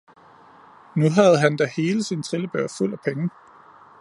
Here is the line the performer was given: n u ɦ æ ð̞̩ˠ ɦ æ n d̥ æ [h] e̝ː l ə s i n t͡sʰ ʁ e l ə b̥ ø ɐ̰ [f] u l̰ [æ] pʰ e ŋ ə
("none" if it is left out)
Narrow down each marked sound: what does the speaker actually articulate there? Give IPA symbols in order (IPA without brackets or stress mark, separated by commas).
h, f, æ